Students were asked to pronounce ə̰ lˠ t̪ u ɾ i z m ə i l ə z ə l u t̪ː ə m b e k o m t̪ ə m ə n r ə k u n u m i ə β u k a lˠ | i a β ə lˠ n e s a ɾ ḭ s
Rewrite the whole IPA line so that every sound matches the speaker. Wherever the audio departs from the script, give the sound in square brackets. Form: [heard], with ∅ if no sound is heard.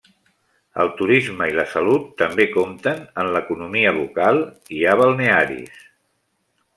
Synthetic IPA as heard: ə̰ lˠ t̪ u ɾ i z m ə i l ə [s] ə l u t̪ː ə m b e k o m t̪ ə [n] ə n [l] ə k u n u m i ə β u k a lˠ | i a β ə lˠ n e [∅] a ɾ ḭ s